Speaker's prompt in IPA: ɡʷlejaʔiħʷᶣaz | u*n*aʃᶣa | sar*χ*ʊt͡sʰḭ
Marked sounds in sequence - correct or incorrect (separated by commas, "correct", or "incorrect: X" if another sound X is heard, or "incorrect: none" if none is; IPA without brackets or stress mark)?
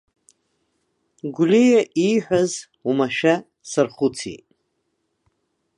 incorrect: m, correct